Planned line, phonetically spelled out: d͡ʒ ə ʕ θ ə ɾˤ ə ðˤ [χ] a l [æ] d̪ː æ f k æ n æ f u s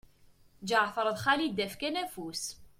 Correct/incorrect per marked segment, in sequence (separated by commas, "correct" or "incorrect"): correct, incorrect